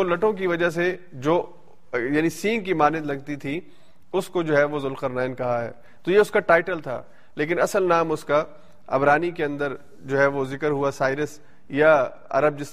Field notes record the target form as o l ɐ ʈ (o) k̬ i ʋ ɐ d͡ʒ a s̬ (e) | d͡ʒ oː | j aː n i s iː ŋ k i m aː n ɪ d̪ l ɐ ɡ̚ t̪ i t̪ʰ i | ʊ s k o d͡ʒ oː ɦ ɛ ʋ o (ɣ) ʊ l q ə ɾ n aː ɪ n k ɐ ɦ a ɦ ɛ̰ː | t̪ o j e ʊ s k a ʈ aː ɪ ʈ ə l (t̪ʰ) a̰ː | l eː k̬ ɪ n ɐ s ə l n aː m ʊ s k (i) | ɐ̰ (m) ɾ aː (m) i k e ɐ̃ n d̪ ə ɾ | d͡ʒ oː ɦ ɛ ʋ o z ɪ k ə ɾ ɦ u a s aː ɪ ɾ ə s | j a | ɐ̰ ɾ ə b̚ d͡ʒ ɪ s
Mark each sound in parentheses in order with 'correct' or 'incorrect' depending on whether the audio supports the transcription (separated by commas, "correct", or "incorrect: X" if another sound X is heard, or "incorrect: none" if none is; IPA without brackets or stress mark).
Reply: incorrect: õ, correct, incorrect: z, correct, incorrect: a, incorrect: b, incorrect: n